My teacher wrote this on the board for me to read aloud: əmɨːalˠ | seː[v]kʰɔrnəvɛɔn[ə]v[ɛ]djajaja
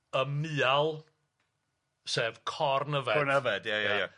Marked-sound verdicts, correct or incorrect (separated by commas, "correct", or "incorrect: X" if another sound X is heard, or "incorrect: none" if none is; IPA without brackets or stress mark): correct, correct, correct